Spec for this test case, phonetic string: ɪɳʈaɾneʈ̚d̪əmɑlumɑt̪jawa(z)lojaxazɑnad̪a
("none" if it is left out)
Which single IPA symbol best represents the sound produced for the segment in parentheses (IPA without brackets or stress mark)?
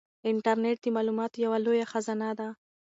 none